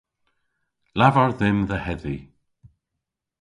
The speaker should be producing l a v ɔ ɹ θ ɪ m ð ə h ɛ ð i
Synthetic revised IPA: l a v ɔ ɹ ð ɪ m ð ə h ɛ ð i